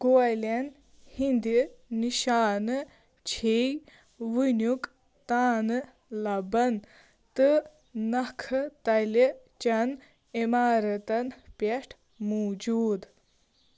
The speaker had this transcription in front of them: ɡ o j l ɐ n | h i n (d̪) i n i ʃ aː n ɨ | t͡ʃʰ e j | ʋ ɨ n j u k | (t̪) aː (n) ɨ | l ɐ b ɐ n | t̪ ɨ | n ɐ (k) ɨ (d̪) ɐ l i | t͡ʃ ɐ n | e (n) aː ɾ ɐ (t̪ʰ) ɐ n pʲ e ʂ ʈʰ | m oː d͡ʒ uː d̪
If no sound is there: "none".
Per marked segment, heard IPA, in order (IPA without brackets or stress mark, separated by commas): d̪, t̪, n, kʰ, t̪, m, t̪